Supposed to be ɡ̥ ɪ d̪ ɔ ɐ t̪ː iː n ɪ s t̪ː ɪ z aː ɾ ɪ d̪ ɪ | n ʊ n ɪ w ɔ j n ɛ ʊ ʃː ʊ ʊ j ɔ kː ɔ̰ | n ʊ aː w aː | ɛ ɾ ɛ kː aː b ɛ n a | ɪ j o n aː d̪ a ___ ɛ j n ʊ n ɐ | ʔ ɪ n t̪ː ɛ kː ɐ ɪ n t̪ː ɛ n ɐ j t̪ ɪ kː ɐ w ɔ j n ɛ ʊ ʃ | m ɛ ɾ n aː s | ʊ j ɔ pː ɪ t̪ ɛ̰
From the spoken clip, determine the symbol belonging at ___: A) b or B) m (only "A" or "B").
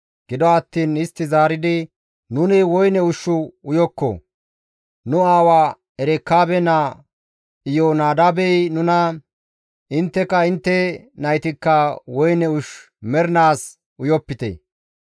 A